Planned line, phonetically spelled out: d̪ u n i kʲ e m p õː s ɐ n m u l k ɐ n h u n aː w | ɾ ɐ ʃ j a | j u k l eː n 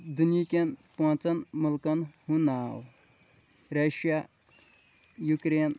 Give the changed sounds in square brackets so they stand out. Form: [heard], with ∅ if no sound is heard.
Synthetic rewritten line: d̪ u n i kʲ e [n] p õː [t͡s] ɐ n m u l k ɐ n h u n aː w | ɾ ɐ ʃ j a | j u k [ɾ] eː n